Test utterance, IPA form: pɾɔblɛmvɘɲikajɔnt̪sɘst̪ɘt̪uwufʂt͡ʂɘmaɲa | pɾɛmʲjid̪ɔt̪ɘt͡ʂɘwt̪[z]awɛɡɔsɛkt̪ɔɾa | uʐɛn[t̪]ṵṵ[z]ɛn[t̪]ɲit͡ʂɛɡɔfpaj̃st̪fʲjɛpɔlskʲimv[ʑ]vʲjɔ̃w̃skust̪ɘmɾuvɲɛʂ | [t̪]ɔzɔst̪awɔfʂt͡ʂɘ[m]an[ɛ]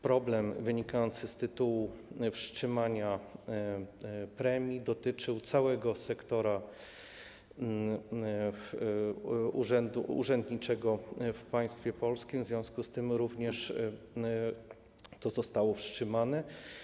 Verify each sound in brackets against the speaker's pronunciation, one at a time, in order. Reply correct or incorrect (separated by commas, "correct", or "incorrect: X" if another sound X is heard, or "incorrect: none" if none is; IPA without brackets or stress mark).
incorrect: s, incorrect: d̪, incorrect: ʐ, incorrect: d̪, incorrect: z, correct, correct, correct